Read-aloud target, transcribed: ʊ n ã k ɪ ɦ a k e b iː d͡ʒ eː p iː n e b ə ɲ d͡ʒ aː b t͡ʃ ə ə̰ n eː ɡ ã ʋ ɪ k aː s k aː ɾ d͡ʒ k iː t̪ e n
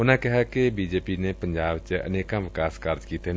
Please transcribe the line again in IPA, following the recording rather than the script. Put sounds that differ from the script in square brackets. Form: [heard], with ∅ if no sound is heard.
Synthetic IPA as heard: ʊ n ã k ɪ ɦ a k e b iː d͡ʒ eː p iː n e [p] ə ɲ d͡ʒ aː b t͡ʃ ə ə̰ n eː [k] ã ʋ ɪ k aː s k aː ɾ d͡ʒ k iː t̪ e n